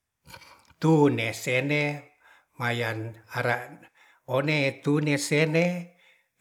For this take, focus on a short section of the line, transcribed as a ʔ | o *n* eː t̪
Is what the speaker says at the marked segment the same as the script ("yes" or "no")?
yes